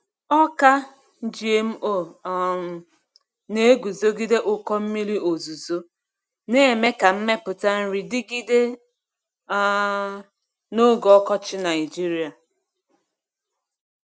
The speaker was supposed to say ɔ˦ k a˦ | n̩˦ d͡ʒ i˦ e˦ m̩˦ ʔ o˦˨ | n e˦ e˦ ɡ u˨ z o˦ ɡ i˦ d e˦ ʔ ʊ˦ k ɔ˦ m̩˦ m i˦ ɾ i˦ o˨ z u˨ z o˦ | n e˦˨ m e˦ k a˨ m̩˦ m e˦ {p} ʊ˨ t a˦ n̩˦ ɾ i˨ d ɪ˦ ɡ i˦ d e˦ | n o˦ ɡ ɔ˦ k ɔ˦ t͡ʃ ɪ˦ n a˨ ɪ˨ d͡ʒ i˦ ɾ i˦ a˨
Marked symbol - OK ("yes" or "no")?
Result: yes